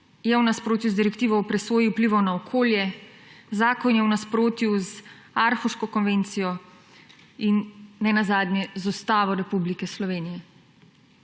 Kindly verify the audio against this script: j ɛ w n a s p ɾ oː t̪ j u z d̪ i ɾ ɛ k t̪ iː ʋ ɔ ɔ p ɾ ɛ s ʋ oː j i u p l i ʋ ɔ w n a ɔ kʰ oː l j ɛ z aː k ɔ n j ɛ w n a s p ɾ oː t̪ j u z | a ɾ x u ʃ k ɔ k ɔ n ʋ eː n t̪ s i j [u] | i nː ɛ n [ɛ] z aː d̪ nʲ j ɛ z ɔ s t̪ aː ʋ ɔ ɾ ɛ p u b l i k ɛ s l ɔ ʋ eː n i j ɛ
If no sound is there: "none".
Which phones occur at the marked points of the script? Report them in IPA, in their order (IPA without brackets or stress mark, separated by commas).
ɔ, a